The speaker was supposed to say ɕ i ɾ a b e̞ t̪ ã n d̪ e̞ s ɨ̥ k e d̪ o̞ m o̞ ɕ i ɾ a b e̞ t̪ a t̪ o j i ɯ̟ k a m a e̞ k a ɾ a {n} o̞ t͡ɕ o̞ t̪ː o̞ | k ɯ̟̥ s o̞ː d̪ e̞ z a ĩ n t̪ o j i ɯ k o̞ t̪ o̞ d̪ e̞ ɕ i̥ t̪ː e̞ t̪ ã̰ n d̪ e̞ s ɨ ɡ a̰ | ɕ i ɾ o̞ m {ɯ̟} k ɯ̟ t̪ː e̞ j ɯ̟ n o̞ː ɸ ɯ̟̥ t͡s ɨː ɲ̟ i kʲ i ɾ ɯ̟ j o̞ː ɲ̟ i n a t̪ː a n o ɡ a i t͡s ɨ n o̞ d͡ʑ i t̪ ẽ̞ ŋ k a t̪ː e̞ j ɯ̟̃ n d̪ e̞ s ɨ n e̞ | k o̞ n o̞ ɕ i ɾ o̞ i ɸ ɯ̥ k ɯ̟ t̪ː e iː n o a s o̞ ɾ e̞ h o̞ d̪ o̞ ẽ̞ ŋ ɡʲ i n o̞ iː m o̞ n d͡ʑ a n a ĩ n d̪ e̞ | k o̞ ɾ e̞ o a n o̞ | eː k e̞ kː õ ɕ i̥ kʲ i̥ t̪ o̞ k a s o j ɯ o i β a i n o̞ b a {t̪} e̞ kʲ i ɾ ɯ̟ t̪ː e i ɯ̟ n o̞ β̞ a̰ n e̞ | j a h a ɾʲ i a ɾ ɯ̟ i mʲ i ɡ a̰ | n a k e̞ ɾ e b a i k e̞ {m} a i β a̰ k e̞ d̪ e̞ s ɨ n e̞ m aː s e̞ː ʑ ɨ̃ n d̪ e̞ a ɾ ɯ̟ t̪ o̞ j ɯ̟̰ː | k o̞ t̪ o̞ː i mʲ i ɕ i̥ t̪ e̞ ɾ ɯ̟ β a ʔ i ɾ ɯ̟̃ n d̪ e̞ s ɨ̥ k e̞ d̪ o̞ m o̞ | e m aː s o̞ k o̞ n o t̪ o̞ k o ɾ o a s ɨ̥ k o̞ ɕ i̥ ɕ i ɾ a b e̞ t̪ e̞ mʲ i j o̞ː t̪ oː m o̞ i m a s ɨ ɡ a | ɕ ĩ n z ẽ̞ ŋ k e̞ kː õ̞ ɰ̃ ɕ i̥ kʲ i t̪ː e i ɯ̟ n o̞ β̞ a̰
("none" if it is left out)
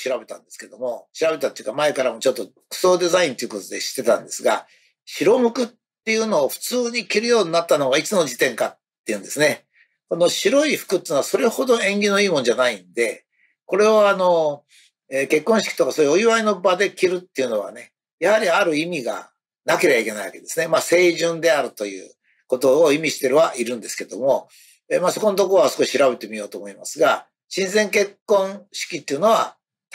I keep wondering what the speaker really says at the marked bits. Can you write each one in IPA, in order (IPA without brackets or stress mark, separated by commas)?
m, ɯ̟, d̪, n